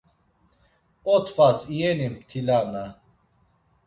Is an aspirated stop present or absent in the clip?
present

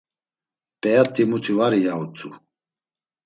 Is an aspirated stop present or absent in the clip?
present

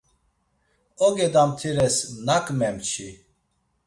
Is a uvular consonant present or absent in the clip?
absent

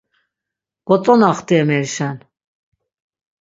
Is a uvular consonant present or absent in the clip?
present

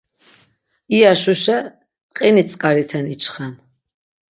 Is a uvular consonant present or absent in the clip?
present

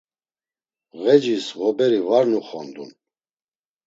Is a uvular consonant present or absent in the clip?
present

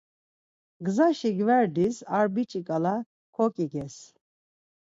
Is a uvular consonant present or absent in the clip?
absent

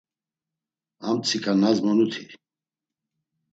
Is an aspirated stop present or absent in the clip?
present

